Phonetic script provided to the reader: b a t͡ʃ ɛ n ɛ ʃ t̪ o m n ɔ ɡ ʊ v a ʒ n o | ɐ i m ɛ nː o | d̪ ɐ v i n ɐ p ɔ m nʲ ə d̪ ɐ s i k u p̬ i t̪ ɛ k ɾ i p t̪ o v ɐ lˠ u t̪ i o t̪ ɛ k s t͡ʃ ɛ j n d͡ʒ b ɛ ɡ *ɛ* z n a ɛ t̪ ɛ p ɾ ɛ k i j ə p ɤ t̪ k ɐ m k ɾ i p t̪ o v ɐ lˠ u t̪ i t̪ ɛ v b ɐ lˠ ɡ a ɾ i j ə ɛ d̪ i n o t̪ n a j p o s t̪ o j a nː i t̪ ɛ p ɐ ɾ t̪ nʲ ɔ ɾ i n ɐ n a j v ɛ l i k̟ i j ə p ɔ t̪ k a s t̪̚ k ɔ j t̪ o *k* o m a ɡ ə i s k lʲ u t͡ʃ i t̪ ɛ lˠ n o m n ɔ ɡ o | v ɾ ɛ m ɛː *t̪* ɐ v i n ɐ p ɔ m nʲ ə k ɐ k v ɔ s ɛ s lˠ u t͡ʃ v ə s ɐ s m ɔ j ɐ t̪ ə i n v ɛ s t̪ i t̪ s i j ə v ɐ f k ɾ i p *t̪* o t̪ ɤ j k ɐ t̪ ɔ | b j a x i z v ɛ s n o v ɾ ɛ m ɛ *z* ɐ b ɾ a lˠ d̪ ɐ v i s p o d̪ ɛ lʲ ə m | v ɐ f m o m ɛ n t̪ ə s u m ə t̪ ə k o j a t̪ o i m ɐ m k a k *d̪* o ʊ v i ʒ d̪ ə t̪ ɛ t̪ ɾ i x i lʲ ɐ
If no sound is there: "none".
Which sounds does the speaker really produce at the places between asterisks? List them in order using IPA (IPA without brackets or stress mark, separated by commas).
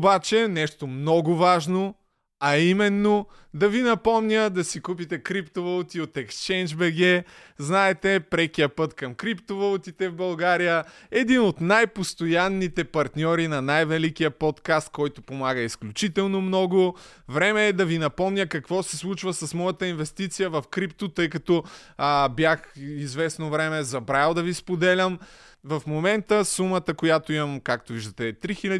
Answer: ɛ, p, d̪, t̪, z, t̪